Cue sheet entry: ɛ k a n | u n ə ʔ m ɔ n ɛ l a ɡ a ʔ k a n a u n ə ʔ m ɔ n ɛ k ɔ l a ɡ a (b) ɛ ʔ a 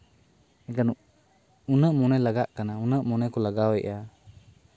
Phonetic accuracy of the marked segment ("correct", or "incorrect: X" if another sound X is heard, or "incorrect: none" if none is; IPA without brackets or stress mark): incorrect: w